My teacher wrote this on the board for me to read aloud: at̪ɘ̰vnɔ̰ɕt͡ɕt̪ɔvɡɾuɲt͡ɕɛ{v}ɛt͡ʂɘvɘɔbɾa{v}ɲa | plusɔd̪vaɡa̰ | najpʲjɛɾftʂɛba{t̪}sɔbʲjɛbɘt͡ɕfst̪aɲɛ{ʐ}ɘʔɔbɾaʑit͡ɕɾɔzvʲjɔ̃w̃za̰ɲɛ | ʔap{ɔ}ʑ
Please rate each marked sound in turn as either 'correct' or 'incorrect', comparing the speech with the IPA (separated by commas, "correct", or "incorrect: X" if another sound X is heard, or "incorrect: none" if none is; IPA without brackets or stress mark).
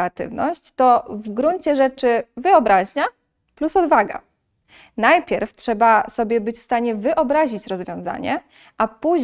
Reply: incorrect: ʐ, incorrect: ʑ, incorrect: none, incorrect: v, incorrect: u